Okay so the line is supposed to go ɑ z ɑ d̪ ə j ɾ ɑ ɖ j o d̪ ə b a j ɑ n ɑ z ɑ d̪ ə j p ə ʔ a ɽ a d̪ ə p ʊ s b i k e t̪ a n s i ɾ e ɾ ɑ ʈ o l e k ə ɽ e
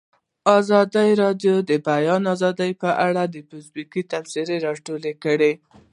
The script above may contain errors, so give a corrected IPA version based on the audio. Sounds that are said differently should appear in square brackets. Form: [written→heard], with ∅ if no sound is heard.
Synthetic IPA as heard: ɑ z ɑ d̪ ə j ɾ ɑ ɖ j o d̪ ə b a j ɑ n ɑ z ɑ d̪ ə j p ə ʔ a ɽ a d̪ ə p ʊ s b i k [e→i] t̪ a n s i ɾ e ɾ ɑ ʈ o l e k ə ɽ e